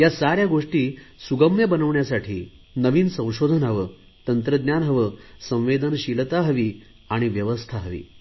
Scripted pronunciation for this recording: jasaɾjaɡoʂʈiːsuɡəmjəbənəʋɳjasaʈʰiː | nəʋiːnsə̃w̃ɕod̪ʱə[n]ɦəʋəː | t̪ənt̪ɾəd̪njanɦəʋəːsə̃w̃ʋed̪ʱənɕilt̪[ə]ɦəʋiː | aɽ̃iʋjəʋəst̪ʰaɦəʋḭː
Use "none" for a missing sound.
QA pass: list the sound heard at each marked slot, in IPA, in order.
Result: n, a

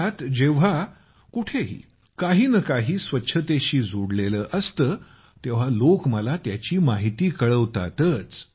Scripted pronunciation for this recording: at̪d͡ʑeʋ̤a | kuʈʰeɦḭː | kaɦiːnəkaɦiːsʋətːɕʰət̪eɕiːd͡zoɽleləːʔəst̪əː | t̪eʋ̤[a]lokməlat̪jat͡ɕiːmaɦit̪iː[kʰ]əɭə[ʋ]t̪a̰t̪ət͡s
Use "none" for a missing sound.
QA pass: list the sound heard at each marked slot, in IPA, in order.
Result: a, k, ʋ

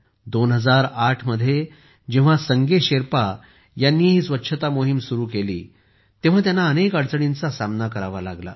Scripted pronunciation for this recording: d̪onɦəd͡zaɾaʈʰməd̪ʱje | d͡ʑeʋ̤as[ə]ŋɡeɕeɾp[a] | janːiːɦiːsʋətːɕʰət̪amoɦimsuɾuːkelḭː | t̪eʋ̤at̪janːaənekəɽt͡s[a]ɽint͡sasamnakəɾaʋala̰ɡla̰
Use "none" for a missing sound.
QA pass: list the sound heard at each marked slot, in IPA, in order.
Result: ə, a, ə

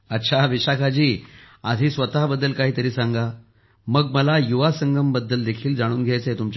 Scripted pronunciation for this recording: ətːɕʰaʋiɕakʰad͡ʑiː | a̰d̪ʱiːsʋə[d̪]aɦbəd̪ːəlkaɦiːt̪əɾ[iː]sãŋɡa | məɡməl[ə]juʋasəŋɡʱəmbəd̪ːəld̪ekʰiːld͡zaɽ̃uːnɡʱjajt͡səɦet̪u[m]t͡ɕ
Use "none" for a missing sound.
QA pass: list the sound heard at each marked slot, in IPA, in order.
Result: t̪, iː, a, m

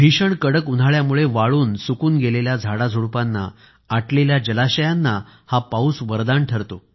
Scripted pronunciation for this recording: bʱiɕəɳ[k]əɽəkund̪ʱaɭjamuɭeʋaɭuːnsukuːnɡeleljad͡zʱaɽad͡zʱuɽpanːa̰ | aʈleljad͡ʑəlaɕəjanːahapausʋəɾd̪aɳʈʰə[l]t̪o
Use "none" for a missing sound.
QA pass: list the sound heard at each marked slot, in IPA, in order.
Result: k, ɾ

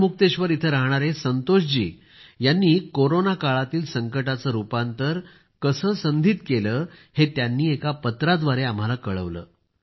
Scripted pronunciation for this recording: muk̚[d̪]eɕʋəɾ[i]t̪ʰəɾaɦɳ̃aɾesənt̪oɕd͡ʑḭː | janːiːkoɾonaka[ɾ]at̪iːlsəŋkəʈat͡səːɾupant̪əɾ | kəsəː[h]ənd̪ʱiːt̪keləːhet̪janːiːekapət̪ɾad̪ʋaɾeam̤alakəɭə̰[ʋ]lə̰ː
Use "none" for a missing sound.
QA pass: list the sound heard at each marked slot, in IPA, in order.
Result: t̪, i, ɭ, s, ʋ

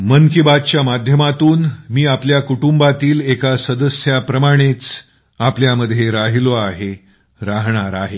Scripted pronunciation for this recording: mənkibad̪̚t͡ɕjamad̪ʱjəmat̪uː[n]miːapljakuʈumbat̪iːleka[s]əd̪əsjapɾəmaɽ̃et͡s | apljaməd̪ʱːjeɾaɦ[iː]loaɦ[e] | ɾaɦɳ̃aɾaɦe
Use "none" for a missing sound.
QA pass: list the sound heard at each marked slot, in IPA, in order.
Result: n, s, i, e

